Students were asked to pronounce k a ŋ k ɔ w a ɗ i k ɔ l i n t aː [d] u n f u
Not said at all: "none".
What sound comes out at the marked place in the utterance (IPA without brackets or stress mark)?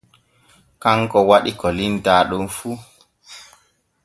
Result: ɗ